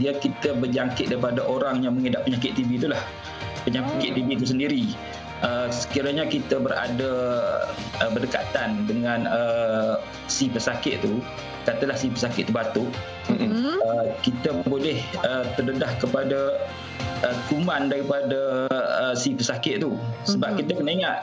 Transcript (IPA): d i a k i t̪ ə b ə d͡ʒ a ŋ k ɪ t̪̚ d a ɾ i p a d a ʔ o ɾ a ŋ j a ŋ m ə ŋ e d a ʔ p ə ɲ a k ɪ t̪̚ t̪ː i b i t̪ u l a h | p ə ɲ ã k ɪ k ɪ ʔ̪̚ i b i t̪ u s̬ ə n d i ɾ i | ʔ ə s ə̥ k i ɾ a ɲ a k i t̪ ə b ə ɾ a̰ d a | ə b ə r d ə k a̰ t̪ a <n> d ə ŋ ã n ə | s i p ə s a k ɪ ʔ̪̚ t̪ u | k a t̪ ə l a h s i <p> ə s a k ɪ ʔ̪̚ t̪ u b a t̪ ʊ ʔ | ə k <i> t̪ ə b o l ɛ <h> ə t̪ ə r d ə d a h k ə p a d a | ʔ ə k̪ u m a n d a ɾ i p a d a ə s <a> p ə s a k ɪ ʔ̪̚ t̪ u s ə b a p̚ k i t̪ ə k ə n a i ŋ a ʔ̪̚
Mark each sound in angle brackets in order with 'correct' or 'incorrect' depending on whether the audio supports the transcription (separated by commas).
correct, correct, correct, correct, incorrect